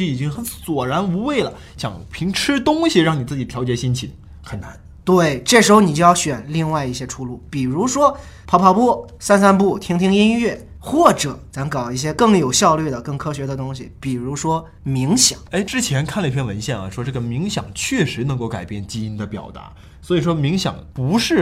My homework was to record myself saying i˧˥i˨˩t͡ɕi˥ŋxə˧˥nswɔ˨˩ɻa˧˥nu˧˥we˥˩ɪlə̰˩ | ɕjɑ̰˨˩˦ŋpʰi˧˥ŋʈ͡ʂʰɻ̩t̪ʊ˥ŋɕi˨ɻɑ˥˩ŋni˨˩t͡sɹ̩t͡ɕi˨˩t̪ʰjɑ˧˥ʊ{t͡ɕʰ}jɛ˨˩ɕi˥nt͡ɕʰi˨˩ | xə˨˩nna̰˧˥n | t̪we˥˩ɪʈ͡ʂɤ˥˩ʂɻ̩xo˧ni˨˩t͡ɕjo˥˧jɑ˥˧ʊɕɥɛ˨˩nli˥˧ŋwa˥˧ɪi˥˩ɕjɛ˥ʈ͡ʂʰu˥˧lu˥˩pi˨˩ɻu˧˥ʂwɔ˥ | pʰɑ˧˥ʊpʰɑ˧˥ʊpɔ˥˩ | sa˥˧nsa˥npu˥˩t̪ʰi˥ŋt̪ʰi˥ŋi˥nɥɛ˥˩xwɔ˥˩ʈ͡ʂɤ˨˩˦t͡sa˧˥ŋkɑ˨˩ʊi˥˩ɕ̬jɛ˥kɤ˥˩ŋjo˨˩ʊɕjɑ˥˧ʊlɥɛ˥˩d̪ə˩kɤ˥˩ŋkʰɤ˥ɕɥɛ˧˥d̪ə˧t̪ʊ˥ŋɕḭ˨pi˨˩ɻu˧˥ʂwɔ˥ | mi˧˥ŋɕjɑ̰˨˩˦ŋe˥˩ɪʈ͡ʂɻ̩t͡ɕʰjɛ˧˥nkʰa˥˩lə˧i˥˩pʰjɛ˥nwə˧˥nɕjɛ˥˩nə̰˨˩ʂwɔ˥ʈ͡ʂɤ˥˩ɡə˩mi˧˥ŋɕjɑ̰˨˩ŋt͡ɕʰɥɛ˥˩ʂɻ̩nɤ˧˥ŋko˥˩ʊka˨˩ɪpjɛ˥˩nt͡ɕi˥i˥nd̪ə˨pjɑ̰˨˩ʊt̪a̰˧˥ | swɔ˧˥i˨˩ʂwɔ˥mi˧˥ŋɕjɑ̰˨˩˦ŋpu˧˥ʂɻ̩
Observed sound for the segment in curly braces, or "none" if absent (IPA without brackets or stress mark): t͡ɕ